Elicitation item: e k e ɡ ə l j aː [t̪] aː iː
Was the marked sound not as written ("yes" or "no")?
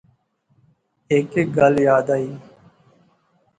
yes